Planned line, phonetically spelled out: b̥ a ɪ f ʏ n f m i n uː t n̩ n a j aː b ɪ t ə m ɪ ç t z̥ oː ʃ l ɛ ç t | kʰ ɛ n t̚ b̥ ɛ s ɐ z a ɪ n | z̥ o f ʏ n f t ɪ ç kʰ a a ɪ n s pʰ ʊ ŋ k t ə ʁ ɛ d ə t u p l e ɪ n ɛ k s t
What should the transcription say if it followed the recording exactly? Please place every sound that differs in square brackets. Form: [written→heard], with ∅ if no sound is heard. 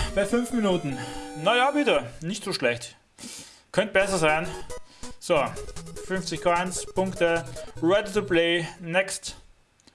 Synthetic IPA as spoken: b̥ a ɪ f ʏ n f m i n uː t n̩ n a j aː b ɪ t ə [m→n] ɪ ç t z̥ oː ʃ l ɛ ç t | kʰ [ɛ→œ] n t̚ b̥ ɛ s ɐ z a ɪ n | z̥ o f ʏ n f [t→t͡s] ɪ ç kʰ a a ɪ n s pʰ ʊ ŋ k t ə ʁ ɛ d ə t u p l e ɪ n ɛ k s t